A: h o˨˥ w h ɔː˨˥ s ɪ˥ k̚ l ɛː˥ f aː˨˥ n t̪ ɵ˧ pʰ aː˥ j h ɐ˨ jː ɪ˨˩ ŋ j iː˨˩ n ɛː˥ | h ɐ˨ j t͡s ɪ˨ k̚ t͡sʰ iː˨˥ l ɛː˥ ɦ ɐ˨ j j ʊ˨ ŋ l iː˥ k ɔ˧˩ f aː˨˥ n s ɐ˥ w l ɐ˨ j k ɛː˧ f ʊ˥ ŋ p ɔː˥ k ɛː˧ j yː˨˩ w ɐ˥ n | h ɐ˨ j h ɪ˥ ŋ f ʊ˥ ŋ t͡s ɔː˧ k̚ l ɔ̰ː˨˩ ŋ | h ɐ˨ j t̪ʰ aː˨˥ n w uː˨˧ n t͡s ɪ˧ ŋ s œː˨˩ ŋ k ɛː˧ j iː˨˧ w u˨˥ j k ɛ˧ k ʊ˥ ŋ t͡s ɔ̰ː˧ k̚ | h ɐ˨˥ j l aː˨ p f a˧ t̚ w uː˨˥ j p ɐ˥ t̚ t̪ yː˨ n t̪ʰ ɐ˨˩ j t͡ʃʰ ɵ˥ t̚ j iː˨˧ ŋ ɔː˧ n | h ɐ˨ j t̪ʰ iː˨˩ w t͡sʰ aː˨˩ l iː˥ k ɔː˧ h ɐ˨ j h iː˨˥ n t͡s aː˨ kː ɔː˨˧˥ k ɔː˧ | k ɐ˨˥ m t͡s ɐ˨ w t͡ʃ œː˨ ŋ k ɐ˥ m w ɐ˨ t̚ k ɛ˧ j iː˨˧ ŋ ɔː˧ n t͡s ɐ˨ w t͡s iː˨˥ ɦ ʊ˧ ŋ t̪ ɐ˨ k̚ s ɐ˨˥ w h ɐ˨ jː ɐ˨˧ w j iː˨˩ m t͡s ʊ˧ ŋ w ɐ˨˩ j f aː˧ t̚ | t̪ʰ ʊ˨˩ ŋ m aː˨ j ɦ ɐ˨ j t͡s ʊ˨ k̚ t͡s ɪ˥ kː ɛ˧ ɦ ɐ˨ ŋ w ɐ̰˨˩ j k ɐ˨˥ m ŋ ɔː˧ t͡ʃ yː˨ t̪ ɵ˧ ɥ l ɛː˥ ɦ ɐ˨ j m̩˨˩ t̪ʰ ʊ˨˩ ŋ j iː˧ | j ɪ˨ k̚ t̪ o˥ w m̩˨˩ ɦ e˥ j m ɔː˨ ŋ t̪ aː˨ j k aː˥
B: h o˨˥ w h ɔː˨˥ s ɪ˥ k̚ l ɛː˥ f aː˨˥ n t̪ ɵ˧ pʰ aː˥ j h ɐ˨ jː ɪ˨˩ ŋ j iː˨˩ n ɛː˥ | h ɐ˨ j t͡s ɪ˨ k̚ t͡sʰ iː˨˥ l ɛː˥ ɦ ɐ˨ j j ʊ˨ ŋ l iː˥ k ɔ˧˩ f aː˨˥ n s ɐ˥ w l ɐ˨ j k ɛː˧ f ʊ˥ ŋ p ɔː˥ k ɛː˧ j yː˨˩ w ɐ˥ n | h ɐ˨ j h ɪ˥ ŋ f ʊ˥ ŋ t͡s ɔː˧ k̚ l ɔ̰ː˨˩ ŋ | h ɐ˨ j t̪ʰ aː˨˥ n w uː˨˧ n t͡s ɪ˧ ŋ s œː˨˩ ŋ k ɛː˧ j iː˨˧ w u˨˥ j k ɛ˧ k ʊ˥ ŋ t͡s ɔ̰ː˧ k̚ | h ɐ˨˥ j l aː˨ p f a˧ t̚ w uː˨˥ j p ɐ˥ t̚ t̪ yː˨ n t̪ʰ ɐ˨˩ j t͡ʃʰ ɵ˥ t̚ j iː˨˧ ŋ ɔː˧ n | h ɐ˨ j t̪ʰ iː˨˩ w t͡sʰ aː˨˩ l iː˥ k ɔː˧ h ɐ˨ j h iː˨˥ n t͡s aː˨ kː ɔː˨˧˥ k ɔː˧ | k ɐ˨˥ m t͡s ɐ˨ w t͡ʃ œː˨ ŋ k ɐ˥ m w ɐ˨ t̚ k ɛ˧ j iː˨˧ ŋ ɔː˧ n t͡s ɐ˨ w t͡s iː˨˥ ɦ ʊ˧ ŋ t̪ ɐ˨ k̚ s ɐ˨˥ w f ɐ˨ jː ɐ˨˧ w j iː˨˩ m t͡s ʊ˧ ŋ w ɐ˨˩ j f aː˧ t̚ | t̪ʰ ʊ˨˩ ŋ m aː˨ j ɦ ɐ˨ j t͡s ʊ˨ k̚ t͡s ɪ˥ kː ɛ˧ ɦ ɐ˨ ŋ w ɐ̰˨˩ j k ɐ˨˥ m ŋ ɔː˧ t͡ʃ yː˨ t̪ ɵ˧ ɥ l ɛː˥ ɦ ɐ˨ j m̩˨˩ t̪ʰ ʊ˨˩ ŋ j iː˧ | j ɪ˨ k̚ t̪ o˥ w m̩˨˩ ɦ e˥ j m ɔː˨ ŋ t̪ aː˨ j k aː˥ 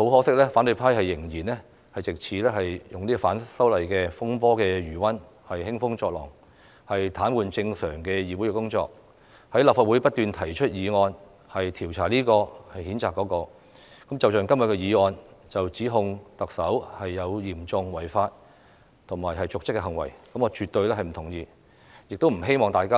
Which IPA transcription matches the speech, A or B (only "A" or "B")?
A